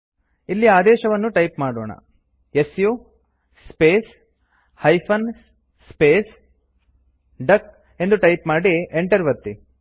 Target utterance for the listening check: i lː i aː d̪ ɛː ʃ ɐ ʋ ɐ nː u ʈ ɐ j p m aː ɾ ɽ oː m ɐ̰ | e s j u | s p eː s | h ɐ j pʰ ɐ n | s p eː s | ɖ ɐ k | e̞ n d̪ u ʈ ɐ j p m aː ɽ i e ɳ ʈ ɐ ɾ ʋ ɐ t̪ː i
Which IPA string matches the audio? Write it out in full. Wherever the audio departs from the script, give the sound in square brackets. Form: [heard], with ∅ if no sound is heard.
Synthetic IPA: i lː i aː d̪ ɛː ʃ ɐ ʋ ɐ nː u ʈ ɐ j p m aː [∅] ɽ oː [ɳ] ɐ̰ | e s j u | s p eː s | h ɐ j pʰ ɐ n | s p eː s | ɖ ɐ k | e̞ n d̪ u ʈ ɐ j p m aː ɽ i e ɳ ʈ ɐ ɾ ʋ ɐ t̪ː i